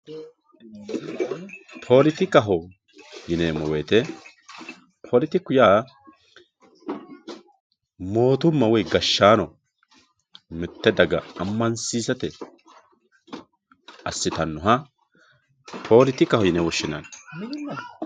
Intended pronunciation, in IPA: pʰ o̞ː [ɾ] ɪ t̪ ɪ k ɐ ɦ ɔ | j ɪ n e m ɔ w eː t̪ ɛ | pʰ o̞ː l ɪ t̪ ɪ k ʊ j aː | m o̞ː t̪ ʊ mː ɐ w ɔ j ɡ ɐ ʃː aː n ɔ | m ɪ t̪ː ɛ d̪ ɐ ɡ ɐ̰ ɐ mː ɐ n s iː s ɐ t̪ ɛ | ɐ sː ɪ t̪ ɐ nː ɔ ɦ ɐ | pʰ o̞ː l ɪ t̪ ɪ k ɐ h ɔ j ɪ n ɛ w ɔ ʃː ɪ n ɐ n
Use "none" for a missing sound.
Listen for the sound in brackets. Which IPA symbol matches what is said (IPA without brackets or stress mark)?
l